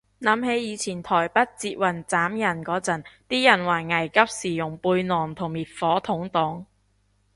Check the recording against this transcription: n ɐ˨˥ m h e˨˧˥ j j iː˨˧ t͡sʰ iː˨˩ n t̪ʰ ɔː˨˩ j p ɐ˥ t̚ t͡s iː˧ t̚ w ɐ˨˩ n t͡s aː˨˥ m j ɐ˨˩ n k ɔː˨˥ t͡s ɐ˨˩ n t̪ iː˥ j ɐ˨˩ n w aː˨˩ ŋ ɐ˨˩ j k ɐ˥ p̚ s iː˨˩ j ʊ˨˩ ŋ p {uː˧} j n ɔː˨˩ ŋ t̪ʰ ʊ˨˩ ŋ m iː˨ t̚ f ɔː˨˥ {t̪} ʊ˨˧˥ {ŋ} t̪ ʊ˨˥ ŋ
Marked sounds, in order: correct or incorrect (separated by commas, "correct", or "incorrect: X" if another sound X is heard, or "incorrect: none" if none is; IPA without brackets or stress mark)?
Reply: correct, incorrect: t̪ʰ, correct